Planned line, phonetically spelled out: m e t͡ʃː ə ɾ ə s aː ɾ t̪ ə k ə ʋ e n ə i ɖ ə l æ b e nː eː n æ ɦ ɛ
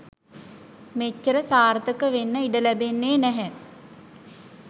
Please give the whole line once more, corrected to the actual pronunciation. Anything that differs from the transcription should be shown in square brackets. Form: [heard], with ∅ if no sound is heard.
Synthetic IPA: m e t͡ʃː ə ɾ ə s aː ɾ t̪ ə k ə ʋ e [nː] ə i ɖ ə l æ b e nː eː n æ ɦ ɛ